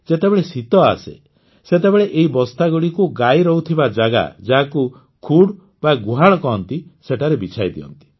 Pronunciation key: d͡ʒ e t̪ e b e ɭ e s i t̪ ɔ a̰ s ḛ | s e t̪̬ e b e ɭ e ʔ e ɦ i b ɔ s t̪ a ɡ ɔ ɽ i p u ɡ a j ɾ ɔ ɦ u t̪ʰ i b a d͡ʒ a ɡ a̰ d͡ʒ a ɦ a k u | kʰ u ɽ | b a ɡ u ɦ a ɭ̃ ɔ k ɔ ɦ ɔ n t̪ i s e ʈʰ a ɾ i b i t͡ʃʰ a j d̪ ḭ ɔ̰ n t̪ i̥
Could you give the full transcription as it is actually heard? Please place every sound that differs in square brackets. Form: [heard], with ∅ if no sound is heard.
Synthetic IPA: d͡ʒ e t̪ e b e ɭ e s i t̪ ɔ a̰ s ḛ | s e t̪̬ e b e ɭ e ʔ e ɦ i b ɔ s t̪ a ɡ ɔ ɽ i [k] u ɡ a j ɾ ɔ ɦ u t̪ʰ i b a d͡ʒ a ɡ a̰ d͡ʒ a ɦ a k u | kʰ u ɽ | b a ɡ u ɦ a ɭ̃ ɔ k ɔ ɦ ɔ n t̪ i s e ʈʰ a ɾ [e] b i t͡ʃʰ a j d̪ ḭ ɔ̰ n t̪ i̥